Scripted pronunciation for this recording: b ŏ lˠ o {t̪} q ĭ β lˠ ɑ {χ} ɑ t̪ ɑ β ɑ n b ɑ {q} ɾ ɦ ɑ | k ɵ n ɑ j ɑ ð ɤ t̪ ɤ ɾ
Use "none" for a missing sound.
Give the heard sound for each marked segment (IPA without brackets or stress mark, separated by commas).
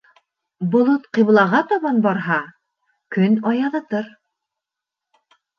t̪, ʁ, none